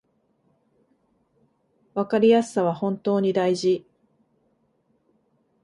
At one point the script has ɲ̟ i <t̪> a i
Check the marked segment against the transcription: incorrect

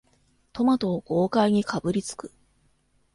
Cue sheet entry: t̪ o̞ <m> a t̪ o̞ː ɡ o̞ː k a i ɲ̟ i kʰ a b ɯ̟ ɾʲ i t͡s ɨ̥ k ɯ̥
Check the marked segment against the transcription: correct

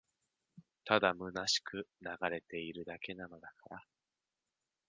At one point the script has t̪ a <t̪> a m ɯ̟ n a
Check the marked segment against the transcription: incorrect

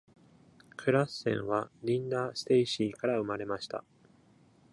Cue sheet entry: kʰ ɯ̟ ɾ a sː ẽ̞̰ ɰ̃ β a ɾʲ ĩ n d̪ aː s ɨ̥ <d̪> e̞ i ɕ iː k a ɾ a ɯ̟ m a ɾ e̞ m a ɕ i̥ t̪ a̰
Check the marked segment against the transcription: incorrect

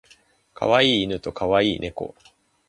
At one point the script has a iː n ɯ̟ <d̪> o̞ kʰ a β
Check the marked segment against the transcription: incorrect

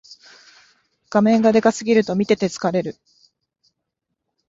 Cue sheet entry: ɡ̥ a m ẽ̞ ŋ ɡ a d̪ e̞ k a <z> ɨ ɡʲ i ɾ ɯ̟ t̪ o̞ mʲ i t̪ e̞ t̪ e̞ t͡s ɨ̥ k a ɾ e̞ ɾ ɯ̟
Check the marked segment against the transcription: incorrect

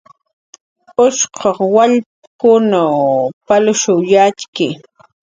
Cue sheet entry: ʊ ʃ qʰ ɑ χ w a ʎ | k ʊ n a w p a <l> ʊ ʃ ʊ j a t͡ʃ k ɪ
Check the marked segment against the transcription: correct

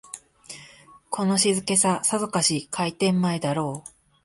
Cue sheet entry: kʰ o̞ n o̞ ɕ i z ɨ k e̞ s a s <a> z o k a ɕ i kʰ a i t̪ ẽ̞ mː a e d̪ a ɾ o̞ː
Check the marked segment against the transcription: correct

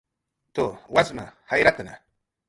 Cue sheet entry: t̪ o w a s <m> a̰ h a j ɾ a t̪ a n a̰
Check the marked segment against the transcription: correct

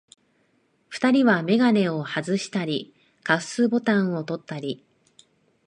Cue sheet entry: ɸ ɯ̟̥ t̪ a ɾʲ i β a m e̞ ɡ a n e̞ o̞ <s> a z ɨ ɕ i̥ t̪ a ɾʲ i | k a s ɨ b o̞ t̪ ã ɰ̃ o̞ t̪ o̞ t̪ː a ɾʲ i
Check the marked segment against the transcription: incorrect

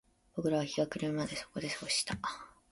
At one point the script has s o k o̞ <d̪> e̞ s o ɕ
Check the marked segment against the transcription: correct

